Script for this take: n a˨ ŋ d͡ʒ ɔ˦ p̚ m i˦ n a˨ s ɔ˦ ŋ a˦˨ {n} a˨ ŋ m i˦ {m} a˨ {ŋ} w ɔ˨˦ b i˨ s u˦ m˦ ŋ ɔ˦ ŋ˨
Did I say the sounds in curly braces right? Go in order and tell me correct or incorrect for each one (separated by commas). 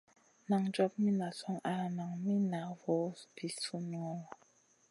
correct, incorrect, incorrect